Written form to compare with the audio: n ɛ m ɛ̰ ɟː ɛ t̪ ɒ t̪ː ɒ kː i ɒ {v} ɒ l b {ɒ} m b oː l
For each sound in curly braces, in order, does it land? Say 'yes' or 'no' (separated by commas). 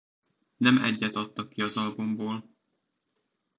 no, no